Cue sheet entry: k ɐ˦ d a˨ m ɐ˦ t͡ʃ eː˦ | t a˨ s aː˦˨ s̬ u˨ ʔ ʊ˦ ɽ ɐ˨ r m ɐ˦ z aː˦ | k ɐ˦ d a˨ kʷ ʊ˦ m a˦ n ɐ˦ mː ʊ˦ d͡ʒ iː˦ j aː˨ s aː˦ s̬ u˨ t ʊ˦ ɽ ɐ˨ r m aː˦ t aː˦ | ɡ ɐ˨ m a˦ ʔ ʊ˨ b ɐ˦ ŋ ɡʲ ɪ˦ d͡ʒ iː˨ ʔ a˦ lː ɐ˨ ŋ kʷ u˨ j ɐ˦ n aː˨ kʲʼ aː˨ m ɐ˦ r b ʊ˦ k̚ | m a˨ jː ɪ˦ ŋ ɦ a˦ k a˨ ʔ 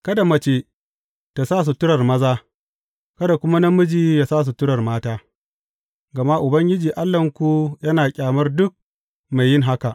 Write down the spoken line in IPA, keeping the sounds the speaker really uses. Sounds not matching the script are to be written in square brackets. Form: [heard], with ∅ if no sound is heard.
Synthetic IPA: k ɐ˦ d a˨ m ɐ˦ t͡ʃ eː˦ | t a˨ s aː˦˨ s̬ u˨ [t] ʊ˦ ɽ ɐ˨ r m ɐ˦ z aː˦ | k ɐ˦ d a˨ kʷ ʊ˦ m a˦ n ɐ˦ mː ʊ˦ d͡ʒ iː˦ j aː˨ s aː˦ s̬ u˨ t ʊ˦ ɽ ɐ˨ r m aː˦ t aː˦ | ɡ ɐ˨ m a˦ ʔ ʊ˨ b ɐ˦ ŋ ɡʲ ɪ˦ d͡ʒ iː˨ ʔ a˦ lː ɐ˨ ŋ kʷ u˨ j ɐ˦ n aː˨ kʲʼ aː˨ m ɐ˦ r [d] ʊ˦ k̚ | m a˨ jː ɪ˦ ŋ ɦ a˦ k a˨ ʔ

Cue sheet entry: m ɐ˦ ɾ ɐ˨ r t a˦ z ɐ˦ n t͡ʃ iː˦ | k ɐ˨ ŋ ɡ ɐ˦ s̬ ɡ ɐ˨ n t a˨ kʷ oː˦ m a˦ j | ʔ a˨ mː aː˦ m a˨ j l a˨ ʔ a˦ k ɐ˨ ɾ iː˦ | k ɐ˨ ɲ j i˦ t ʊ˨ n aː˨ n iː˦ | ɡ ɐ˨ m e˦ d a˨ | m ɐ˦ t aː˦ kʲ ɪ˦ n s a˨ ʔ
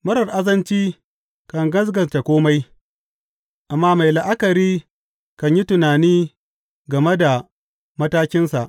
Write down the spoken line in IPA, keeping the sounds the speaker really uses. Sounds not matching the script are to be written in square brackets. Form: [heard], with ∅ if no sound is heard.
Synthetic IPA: m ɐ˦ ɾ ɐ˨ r [ʔ] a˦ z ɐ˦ n t͡ʃ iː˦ | k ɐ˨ ŋ ɡ ɐ˦ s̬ ɡ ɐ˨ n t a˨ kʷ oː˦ m a˦ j | ʔ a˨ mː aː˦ m a˨ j l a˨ ʔ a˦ k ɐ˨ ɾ iː˦ | k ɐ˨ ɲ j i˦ t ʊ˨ n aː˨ n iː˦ | ɡ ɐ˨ m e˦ d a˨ | m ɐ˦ t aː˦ kʲ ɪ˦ n s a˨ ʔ

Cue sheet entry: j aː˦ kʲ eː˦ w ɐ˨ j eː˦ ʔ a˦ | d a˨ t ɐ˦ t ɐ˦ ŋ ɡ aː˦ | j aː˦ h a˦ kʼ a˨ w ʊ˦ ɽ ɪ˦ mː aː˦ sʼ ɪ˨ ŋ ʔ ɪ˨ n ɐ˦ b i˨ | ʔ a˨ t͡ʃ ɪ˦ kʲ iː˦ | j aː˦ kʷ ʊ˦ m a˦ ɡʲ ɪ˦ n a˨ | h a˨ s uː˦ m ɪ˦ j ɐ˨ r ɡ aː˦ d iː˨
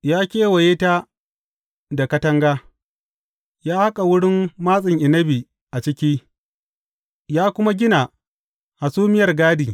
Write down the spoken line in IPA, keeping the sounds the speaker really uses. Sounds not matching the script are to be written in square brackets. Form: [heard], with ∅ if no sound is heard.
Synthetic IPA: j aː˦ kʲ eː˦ w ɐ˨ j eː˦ [t] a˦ | d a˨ [k] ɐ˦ t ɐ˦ ŋ ɡ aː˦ | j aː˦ h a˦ kʼ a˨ w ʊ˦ ɽ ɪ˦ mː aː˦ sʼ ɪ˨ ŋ ʔ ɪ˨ n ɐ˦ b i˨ | ʔ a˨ t͡ʃ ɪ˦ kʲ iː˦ | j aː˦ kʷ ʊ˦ m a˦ ɡʲ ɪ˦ n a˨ | h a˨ s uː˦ m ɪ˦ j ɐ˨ r ɡ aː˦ d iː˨

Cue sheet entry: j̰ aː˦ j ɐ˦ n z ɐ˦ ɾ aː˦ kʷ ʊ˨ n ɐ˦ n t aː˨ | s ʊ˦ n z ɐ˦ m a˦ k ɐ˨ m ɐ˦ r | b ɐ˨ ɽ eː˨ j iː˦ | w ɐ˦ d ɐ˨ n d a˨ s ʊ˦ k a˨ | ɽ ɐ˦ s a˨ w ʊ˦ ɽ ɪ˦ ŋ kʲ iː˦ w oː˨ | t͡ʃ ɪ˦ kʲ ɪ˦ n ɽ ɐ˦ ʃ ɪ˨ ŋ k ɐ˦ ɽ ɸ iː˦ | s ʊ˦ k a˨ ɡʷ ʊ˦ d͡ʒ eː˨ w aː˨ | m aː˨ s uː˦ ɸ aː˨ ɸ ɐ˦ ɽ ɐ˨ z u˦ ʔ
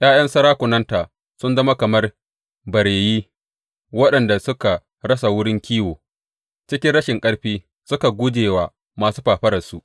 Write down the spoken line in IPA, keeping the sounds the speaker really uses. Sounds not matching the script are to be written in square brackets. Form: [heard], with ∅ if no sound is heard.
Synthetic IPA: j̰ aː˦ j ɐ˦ n [s] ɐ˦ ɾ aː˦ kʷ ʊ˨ n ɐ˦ n t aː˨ | s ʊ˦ n z ɐ˦ m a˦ k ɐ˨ m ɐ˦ r | b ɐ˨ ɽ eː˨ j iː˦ | w ɐ˦ [ɗ] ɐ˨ n d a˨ s ʊ˦ k a˨ | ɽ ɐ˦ s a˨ w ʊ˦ ɽ ɪ˦ ŋ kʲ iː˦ w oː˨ | t͡ʃ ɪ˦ kʲ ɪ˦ n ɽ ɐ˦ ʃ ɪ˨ ŋ [kʼ] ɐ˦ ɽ ɸ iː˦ | s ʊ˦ k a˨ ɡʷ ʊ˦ d͡ʒ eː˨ w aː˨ | m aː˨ s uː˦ ɸ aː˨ ɸ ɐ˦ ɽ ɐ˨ [s] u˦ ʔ

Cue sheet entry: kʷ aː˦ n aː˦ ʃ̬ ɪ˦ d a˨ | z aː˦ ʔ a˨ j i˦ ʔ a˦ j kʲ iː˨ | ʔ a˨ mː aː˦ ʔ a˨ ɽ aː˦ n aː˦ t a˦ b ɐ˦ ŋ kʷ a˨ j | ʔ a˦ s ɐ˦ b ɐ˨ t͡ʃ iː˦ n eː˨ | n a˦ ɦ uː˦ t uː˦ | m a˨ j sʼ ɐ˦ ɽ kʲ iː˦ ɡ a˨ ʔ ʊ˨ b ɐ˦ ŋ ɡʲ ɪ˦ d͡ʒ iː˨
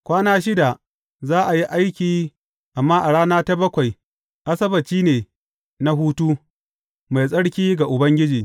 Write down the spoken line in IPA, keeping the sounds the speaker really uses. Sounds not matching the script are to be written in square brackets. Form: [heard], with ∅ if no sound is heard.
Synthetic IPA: kʷ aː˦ n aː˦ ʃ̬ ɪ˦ d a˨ | z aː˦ ʔ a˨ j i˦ ʔ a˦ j kʲ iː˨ | ʔ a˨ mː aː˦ ʔ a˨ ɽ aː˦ n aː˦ t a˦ b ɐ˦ [∅] kʷ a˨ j | ʔ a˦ s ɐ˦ b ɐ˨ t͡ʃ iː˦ n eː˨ | n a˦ ɦ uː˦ t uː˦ | m a˨ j sʼ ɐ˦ ɽ kʲ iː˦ ɡ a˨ ʔ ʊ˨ b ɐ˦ ŋ ɡʲ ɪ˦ d͡ʒ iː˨

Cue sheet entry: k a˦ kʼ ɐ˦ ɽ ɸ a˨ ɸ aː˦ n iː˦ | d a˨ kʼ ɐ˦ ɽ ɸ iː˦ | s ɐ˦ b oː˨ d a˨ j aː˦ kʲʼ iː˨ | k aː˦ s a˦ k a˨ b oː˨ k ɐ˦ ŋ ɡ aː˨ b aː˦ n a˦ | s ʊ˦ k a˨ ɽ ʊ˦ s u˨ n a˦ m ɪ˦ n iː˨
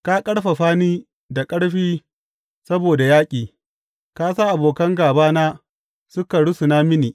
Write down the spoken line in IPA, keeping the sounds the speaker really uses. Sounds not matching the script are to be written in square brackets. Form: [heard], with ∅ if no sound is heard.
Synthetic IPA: k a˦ kʼ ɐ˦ ɽ ɸ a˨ ɸ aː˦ n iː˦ | d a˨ kʼ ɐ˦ ɽ ɸ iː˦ | s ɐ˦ b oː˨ d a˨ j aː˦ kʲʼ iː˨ | k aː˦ s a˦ [ʔ] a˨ b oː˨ k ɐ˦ ŋ ɡ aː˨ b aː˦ n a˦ | s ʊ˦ k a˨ ɽ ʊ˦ s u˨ n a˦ m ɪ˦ n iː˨

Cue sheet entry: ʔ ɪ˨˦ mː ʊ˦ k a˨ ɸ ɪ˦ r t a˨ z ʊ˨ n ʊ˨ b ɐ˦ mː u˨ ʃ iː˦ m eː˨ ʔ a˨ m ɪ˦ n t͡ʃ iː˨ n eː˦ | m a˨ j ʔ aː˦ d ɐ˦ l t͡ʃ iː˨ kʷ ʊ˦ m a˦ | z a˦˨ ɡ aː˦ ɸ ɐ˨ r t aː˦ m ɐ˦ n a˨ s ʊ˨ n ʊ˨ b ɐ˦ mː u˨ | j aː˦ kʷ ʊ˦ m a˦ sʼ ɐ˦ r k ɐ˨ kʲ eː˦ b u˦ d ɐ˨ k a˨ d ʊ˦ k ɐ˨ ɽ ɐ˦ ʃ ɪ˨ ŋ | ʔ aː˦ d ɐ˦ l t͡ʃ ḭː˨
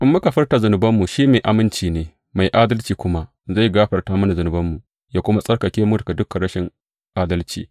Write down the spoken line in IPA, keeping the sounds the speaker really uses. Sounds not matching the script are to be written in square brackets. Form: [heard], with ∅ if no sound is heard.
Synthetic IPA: ʔ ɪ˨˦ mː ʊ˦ k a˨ ɸ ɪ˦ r t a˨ z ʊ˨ n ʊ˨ b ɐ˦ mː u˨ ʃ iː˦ m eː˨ ʔ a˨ m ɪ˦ n t͡ʃ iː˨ n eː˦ | m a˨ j ʔ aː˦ d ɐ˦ l t͡ʃ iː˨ kʷ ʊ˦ m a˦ | z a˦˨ ɡ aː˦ ɸ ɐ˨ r t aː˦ m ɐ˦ n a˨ [z] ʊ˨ n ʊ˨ b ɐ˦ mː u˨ | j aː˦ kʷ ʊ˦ m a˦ sʼ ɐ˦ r k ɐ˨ kʲ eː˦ [m] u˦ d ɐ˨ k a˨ d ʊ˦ k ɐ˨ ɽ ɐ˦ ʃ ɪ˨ ŋ | ʔ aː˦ d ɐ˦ l t͡ʃ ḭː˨

